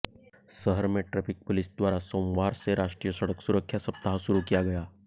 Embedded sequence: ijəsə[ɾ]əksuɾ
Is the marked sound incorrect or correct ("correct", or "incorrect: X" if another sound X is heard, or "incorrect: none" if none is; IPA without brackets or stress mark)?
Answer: incorrect: ɽ